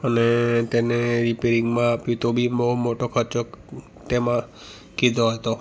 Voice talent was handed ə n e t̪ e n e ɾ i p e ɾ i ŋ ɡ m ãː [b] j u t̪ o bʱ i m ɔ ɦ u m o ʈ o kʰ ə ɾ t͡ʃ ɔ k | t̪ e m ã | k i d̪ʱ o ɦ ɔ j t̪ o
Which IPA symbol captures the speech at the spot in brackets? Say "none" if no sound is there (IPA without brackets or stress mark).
p